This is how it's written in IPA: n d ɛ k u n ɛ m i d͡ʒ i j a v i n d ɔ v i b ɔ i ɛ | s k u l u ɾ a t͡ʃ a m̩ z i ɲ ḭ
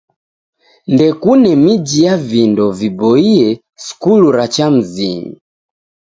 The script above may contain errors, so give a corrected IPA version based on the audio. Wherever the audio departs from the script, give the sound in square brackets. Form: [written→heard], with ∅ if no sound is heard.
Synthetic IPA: n d ɛ k u n ɛ m i d͡ʒ i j a v i n d ɔ v i b ɔ i ɛ | s k u l u ɾ a t͡ʃ a m̩ z i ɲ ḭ